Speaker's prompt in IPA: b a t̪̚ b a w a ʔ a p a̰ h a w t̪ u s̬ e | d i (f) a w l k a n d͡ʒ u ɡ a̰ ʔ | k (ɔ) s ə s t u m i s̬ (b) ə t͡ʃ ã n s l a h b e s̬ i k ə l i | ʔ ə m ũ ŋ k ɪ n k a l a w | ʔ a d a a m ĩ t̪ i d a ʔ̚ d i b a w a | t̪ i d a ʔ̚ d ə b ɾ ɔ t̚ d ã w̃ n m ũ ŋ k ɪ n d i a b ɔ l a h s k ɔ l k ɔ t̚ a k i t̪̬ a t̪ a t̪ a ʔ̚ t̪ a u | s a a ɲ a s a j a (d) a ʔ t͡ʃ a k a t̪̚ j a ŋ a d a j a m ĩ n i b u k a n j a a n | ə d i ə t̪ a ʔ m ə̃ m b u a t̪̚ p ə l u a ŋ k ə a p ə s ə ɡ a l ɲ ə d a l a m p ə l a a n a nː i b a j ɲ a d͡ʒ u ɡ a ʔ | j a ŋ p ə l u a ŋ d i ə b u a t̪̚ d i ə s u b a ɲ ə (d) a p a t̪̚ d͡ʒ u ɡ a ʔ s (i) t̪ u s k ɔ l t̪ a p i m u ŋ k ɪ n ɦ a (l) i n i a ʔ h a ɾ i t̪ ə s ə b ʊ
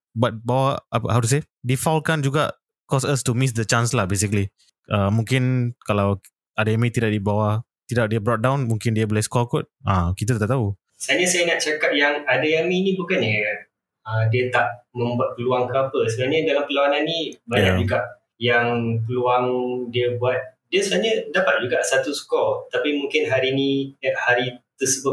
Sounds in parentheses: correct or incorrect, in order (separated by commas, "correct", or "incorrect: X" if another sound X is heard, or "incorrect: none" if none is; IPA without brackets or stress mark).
correct, correct, incorrect: d, incorrect: n, correct, incorrect: a, incorrect: ɾ